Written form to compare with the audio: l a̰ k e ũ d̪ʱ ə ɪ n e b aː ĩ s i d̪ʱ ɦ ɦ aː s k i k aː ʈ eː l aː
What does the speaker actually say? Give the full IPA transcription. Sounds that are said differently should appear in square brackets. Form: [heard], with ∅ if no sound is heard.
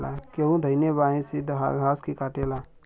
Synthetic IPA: l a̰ k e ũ d̪ʱ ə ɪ n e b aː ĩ s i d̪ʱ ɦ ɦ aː s k i k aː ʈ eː l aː

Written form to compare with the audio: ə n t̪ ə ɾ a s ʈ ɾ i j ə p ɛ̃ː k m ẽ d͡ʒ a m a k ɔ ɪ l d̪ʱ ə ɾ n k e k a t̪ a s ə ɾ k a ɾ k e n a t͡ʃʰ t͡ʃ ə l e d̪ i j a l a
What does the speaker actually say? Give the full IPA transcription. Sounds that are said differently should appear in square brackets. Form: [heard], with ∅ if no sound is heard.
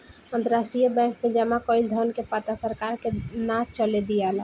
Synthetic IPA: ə n t̪ ə ɾ a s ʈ ɾ i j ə [b] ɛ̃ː k m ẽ d͡ʒ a m a k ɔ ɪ l d̪ʱ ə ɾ n k e [p] a t̪ a s ə ɾ k a ɾ k e n a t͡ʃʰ t͡ʃ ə l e d̪ i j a l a

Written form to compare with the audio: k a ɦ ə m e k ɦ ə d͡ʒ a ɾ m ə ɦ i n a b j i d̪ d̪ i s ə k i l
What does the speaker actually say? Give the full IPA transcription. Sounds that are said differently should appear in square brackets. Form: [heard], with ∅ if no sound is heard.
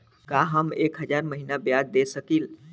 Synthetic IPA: k a ɦ ə m e k ɦ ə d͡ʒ a ɾ m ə ɦ i n a b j [a] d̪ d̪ [e] s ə k i l

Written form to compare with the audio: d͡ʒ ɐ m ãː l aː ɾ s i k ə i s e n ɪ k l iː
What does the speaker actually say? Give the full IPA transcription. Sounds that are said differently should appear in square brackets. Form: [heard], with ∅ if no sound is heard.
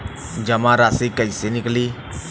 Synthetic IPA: d͡ʒ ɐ m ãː [ɾ] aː [∅] s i k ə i s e n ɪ k l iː

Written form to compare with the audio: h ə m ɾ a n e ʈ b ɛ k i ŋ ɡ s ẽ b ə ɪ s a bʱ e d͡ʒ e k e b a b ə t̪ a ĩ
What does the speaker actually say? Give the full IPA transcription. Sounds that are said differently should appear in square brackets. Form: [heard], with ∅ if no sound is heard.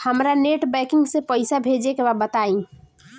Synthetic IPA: h ə m ɾ a n e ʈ b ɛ k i ŋ ɡ s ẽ [p] ə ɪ s a bʱ e d͡ʒ e k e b a b ə t̪ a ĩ

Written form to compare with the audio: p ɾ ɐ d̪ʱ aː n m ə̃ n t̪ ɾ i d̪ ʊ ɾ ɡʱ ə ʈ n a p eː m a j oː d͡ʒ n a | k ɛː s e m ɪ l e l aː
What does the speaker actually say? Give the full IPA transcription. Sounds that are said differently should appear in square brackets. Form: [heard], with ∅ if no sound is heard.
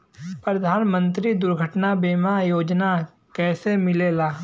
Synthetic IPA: p ɾ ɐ d̪ʱ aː n m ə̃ n t̪ ɾ i d̪ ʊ ɾ ɡʱ ə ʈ n a [b] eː m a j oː d͡ʒ n a | k ɛː s e m ɪ l e l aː

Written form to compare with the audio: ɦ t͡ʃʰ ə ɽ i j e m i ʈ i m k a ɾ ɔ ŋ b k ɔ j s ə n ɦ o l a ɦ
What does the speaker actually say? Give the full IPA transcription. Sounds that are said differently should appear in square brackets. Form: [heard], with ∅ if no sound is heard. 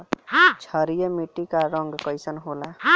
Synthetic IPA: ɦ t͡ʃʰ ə [ɾ] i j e m i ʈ i [∅] k a ɾ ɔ ŋ [ɡ] k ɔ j s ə n ɦ o l a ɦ

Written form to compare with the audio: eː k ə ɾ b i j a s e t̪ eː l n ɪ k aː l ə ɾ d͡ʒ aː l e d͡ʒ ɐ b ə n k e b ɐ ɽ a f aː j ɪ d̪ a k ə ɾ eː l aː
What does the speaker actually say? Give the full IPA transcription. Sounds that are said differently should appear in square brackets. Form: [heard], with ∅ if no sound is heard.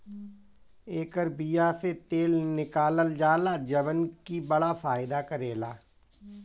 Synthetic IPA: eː k ə ɾ b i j a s e t̪ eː l n ɪ k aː l ə [l] d͡ʒ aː l [a] d͡ʒ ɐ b ə n k [i] b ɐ ɽ a f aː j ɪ d̪ a k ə ɾ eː l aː

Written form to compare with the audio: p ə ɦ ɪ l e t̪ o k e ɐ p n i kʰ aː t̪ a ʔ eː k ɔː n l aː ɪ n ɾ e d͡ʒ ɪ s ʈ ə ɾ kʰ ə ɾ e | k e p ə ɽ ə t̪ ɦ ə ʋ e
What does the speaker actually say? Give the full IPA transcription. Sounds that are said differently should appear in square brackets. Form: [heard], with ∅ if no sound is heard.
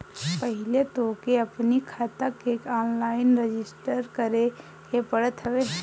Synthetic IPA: p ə ɦ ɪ l e t̪ o k e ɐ p n i kʰ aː t̪ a [k] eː k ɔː n l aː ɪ n ɾ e d͡ʒ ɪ s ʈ ə ɾ [k] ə ɾ e | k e p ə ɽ ə t̪ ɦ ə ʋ e

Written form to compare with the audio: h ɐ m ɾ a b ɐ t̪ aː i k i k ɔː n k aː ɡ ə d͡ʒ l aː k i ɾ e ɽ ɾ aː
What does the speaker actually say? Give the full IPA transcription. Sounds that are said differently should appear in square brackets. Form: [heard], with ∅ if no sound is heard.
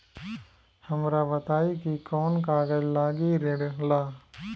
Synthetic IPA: h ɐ m ɾ a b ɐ t̪ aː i k i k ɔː n k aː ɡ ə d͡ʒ l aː [ɡ] i ɾ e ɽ [l] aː

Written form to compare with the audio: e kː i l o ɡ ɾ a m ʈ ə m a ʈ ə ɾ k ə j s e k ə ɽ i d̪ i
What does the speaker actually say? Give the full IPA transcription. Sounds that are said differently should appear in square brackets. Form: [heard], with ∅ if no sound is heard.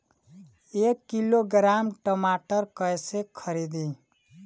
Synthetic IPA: e kː i l o ɡ ɾ a m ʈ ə m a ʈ ə ɾ k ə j s e [kʰ] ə [ɾ] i d̪ i

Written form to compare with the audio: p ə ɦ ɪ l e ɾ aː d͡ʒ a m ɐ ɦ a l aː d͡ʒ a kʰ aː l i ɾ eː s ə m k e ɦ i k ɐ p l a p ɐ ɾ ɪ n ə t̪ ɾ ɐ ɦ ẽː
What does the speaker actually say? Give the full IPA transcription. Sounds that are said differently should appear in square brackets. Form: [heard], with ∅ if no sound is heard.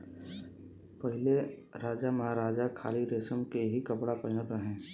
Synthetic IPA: p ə ɦ ɪ l e ɾ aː d͡ʒ a m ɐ ɦ a [ɾ] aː d͡ʒ a kʰ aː l i ɾ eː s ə m k e ɦ i k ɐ p [ɽ] a p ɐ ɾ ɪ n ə t̪ ɾ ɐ ɦ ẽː

